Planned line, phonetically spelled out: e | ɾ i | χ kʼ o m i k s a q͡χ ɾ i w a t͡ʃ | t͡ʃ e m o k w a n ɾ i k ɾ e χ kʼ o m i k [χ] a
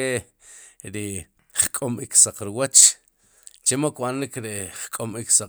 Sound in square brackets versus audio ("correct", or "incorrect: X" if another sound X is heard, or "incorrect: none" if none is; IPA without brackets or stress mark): incorrect: s